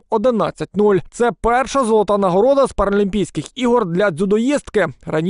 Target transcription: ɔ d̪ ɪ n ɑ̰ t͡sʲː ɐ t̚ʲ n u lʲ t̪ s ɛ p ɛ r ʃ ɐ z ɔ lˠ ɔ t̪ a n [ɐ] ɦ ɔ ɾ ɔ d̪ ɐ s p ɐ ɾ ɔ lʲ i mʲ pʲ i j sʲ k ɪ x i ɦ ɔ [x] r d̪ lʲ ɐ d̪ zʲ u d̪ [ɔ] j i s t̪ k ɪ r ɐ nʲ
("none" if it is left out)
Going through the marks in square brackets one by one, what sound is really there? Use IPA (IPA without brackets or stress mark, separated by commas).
ɐ, none, ɔ